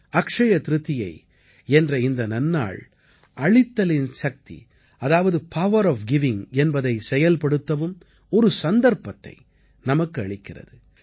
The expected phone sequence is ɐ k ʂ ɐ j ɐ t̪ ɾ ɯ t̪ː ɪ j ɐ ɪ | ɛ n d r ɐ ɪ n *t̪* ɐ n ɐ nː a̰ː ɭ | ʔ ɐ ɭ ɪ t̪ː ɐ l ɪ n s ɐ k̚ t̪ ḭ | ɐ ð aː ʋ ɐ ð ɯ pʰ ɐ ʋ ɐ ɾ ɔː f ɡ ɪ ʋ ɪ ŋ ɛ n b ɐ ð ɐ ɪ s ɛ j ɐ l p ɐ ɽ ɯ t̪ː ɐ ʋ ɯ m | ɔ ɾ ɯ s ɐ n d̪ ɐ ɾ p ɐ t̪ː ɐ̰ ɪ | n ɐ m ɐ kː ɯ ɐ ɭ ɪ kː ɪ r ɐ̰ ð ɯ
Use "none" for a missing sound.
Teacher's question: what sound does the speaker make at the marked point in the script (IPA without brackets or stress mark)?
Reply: d̪